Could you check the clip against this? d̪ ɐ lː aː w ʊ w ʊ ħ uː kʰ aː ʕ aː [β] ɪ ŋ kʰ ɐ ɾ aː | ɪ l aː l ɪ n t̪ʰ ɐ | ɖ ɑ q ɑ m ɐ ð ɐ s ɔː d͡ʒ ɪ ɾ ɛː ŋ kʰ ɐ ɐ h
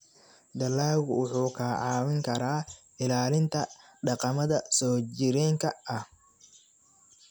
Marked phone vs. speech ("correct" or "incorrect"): incorrect